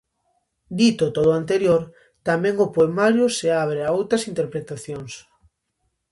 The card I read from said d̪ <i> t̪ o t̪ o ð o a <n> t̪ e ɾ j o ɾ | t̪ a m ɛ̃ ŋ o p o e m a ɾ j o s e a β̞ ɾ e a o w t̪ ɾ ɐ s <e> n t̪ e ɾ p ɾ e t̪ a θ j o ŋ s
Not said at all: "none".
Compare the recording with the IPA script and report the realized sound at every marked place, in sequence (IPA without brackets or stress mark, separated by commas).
i, n, i